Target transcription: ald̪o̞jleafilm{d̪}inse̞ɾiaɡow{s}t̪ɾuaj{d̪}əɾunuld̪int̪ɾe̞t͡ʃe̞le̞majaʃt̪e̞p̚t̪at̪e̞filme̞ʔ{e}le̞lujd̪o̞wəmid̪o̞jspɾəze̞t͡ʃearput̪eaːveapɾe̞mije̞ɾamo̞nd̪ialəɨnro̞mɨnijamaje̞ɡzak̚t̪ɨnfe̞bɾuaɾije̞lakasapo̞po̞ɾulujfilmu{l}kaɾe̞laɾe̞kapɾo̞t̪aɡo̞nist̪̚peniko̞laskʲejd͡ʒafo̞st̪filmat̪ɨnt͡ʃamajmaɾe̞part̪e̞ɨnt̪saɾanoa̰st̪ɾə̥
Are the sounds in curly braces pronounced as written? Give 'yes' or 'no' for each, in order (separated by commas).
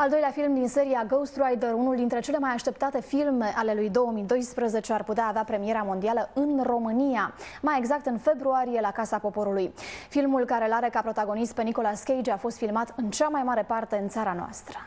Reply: yes, yes, yes, no, yes